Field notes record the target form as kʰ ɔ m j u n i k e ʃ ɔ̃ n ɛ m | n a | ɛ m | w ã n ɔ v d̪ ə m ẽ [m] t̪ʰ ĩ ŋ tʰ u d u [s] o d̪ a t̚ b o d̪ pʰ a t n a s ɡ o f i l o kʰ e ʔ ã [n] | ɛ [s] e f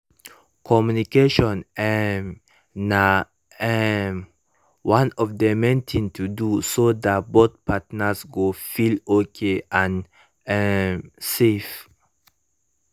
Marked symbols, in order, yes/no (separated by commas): no, yes, yes, yes